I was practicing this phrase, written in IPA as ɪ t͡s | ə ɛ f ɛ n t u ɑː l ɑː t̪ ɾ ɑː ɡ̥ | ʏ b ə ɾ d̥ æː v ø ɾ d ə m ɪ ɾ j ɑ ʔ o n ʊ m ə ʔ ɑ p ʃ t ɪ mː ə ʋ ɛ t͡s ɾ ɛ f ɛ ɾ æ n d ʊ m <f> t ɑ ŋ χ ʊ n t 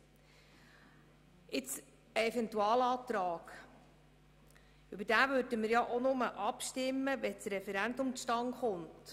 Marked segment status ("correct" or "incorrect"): incorrect